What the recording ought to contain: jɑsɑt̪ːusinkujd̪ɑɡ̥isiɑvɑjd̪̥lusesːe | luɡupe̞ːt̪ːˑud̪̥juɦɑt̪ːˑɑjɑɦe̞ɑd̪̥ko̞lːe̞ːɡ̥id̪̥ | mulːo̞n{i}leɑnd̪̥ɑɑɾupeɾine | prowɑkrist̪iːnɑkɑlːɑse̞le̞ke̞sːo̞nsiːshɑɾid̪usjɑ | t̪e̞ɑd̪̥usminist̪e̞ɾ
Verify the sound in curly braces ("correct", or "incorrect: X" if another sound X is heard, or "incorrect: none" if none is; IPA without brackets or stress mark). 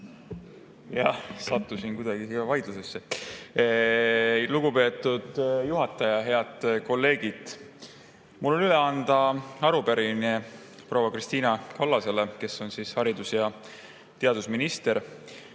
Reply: incorrect: y